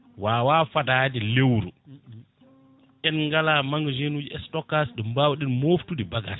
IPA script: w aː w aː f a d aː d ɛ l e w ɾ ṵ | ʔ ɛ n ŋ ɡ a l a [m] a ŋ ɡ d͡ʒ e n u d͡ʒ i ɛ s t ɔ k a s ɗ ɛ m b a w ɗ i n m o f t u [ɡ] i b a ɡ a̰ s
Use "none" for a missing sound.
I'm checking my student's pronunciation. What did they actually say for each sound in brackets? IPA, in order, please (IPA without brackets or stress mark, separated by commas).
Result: m, d